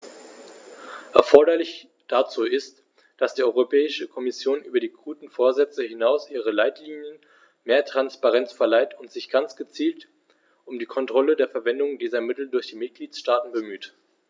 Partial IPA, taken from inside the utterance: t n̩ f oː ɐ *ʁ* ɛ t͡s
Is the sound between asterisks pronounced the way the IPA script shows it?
no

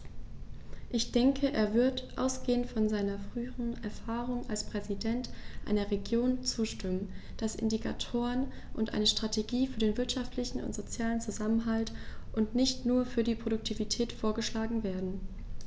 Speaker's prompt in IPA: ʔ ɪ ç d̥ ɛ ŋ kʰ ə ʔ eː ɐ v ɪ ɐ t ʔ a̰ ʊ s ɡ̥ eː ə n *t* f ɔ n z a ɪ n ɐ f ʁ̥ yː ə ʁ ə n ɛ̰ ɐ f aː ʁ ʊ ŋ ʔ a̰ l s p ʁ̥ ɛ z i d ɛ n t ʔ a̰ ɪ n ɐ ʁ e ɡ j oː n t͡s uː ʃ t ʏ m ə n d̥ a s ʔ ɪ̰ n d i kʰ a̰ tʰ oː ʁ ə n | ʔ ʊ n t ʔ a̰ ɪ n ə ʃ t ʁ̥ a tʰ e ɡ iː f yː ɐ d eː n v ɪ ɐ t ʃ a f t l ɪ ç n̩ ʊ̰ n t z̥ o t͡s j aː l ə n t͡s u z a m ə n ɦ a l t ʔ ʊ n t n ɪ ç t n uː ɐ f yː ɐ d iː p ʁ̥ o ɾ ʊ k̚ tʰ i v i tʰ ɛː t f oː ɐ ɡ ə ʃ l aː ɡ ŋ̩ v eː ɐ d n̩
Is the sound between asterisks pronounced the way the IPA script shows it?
yes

